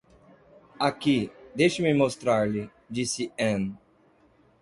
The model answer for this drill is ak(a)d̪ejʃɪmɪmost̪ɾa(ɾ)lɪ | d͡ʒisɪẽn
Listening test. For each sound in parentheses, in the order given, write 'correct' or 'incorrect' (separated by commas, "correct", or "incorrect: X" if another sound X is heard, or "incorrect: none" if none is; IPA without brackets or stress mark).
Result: incorrect: i, correct